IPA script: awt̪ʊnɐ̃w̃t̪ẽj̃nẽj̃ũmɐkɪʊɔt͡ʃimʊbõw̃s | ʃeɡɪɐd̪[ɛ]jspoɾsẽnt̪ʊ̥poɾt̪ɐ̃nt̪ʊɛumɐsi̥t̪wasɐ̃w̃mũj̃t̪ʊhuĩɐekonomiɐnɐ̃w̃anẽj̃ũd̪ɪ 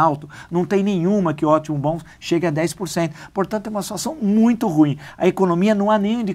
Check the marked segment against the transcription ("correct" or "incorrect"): correct